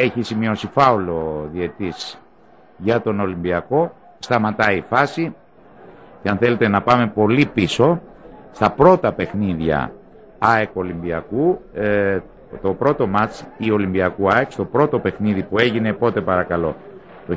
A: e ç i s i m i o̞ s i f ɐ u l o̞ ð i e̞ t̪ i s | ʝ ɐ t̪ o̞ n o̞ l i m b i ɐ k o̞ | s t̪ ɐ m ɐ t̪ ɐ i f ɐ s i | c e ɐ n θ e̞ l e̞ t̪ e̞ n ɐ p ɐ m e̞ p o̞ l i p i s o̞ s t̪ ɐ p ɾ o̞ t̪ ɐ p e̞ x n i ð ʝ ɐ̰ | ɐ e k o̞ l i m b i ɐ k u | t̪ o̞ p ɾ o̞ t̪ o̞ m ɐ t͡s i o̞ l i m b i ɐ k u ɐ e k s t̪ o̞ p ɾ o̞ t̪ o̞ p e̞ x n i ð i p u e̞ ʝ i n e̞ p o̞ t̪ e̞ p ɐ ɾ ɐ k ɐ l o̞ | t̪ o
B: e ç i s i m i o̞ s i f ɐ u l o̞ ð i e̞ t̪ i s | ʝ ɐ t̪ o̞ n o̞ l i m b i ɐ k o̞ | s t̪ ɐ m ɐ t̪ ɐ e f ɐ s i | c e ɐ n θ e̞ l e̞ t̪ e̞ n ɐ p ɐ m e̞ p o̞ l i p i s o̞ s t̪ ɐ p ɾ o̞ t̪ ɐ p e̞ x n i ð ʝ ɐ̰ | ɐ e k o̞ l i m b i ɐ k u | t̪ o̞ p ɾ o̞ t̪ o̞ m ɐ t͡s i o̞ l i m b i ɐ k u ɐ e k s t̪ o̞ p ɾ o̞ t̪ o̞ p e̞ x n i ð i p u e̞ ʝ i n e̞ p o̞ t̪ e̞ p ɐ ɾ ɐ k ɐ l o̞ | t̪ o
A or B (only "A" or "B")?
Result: A